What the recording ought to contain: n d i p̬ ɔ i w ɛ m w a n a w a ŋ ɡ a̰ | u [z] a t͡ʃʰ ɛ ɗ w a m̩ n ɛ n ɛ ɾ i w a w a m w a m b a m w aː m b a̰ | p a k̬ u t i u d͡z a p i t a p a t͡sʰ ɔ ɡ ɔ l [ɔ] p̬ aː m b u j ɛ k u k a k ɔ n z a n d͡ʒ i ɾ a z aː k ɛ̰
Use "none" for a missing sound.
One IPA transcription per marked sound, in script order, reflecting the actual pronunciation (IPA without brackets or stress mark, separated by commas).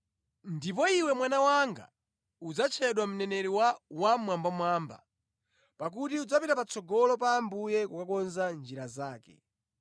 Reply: d͡z, ɔ